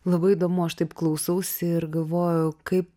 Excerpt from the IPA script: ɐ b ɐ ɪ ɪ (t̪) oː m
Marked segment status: incorrect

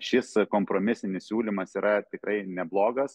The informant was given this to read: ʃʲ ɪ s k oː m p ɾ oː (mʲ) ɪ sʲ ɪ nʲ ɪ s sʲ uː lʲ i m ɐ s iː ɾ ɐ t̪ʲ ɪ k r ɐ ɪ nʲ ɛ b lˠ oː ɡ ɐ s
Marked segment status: correct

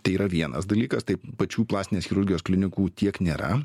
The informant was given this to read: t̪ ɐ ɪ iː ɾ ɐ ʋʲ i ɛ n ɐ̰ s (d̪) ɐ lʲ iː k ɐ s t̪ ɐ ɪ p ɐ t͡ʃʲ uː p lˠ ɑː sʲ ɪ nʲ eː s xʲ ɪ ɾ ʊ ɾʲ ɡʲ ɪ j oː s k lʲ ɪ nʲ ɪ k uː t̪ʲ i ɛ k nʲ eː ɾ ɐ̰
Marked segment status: correct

